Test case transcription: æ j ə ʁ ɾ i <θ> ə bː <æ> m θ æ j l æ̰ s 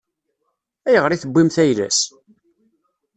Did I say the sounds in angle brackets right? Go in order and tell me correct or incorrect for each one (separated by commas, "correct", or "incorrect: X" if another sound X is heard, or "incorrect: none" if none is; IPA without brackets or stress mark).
correct, incorrect: i